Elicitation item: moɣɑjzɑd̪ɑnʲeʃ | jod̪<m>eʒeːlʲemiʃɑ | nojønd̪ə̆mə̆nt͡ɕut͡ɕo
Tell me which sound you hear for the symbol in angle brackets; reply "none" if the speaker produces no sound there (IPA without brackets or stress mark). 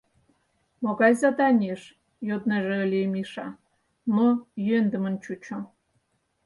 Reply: n